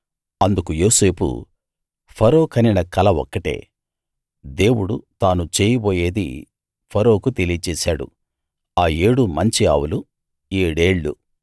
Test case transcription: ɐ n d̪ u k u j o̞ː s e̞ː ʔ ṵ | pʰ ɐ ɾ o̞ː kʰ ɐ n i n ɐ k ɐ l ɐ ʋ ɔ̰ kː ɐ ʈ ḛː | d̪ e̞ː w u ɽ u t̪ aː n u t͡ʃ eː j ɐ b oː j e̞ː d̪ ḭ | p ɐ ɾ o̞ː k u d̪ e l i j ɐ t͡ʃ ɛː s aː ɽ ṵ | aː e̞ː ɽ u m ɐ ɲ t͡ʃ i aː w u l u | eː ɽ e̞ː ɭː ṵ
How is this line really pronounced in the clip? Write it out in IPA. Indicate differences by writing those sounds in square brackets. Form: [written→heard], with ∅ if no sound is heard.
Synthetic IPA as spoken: ɐ n d̪ u k u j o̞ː s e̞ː [ʔ→p] ṵ | pʰ ɐ ɾ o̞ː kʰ ɐ n i n ɐ k ɐ l ɐ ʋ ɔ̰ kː ɐ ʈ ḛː | d̪ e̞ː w u ɽ u t̪ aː n u t͡ʃ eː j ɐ b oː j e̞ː d̪ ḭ | [p→pʰ] ɐ ɾ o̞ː k u [d̪→t̪] e l i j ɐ t͡ʃ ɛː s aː ɽ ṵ | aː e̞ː ɽ u m ɐ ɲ t͡ʃ i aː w u l u | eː ɽ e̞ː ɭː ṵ